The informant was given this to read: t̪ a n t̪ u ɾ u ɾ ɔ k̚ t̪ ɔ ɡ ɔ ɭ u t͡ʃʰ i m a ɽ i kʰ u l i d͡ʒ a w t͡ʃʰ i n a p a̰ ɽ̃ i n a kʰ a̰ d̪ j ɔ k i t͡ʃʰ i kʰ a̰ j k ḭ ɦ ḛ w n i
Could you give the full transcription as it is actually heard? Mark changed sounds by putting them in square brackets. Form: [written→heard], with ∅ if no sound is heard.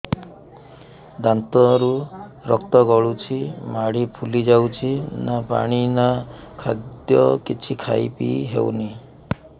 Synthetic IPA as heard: [t̪→d̪] a n t̪ [u→ɔ] ɾ u ɾ ɔ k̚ t̪ ɔ ɡ ɔ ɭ u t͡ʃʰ i m a ɽ i [kʰ→pʰ] u l i d͡ʒ a w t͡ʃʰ i n a p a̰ ɽ̃ i n a kʰ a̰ d̪ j ɔ k i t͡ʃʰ i kʰ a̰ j [k→p] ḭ ɦ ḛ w n i